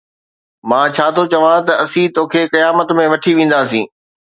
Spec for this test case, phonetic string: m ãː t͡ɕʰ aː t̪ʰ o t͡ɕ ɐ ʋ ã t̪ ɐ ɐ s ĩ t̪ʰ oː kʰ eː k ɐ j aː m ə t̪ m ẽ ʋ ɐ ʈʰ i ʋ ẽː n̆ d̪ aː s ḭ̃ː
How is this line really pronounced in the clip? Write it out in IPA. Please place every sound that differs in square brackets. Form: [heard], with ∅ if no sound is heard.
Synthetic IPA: m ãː t͡ɕʰ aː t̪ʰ o t͡ɕ ɐ ʋ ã t̪ ɐ ɐ s ĩ [t̪] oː kʰ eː k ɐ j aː m ə t̪ m ẽ ʋ ɐ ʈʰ i ʋ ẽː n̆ d̪ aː s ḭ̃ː